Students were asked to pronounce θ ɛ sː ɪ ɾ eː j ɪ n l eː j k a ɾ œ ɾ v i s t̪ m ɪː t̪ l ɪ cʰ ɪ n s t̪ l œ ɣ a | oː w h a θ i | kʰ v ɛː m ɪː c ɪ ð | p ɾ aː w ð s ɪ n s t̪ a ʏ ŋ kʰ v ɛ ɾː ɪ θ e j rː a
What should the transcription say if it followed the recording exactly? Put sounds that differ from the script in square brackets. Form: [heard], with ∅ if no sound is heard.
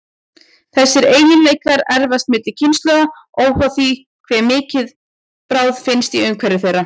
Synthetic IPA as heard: θ ɛ sː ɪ ɾ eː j ɪ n l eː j k a ɾ [ɛ] ɾ v [a] s t̪ m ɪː t̪ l ɪ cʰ ɪ n s t̪ l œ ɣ a | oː w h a θ i | kʰ v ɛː m ɪː c ɪ ð | p ɾ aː w ð [f] ɪ n s t̪ [i] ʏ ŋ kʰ v ɛ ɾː ɪ θ e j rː a

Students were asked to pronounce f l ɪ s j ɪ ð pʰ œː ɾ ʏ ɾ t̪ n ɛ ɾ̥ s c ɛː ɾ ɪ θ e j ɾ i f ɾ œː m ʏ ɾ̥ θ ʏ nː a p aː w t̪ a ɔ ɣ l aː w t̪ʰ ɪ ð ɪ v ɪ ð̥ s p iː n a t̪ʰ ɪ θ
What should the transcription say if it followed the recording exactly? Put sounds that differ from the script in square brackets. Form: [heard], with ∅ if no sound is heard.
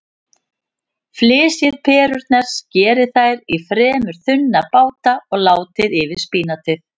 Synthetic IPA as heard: f l [ɪː] s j ɪ ð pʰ [ɛː] ɾ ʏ ɾ t̪ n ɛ ɾ̥ s c ɛː ɾ ɪ θ [a] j ɾ i f ɾ [ɛː] m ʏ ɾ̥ θ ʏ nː a p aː w t̪ a ɔ ɣ l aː w [t̪] ɪ ð ɪ v ɪ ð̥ s p iː n a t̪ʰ ɪ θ

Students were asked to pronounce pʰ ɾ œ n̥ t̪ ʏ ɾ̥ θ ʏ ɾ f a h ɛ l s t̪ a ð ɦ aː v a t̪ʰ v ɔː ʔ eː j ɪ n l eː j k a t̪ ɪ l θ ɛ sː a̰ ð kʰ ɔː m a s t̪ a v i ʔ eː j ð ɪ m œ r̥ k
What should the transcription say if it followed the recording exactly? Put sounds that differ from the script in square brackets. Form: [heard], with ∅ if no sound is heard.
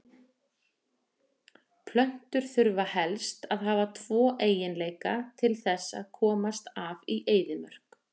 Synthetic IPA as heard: pʰ [l] œ n̥ t̪ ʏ ɾ̥ θ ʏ ɾ [v] a h ɛ l s t̪ a ð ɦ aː v a t̪ʰ v ɔː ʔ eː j ɪ n l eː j k a [t̪ʰ] ɪ l θ ɛ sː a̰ ð kʰ ɔː m a s t̪ a v i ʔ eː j ð ɪ m œ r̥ k

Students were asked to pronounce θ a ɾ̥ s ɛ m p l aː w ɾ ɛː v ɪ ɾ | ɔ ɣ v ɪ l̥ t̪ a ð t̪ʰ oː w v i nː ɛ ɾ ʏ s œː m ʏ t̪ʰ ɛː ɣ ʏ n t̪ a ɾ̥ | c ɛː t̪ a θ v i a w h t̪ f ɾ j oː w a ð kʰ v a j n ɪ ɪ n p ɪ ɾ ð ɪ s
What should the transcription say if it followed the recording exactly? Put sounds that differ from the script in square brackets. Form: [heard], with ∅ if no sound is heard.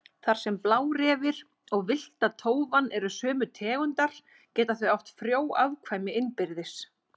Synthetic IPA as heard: θ a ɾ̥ s ɛ m p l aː w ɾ ɛː v ɪ ɾ | ɔ ɣ v ɪ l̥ t̪ a ð t̪ʰ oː w v [a] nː ɛ ɾ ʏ s œː m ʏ t̪ʰ ɛː ɣ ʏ n t̪ a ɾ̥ | c ɛː t̪ a θ v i a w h t̪ f ɾ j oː w a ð kʰ v a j [m] ɪ ɪ n p ɪ ɾ ð ɪ s

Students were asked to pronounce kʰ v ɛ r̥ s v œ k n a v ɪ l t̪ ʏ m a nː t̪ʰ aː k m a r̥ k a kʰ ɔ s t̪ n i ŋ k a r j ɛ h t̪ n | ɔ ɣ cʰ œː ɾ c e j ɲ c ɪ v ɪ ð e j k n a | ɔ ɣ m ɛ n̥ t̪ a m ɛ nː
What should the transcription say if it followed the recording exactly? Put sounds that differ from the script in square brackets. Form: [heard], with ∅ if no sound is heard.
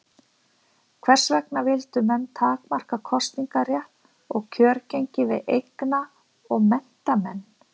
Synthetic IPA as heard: kʰ v ɛ r̥ s v [ɛ] k n a v ɪ l t̪ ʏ m [ɛ] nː t̪ʰ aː k m a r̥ k a kʰ ɔ s t̪ n i ŋ k a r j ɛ h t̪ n | ɔ ɣ cʰ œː ɾ c e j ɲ c ɪ v ɪ ð e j k n a | ɔ ɣ m ɛ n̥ t̪ a m ɛ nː

